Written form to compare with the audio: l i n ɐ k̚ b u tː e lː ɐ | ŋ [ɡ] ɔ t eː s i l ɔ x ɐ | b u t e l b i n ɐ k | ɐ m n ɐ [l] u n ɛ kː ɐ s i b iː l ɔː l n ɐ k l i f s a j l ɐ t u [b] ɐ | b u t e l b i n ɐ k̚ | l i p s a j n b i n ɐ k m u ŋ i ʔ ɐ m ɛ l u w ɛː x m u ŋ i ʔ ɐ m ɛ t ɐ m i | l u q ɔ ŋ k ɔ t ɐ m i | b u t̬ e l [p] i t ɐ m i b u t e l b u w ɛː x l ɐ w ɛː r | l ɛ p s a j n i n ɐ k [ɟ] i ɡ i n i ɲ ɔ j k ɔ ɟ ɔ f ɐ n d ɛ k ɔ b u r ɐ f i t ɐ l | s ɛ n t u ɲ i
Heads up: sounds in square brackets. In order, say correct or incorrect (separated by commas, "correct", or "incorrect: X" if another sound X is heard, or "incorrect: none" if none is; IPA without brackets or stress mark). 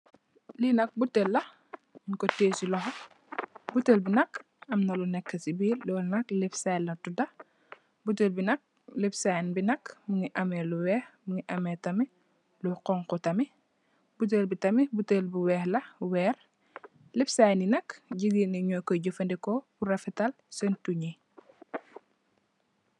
incorrect: k, correct, incorrect: d, incorrect: b, correct